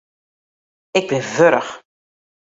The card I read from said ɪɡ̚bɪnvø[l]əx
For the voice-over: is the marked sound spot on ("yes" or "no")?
no